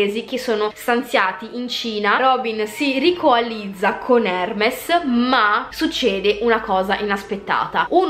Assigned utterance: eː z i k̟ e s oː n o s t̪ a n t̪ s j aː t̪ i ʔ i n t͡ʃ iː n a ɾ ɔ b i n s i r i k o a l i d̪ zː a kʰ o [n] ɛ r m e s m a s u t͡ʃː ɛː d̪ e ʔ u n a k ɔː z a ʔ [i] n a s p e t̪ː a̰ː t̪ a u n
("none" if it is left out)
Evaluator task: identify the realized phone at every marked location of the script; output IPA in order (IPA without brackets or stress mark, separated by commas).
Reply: n, i